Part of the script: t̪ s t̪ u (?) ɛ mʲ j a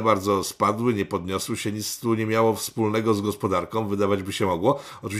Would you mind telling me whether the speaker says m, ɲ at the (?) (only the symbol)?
ɲ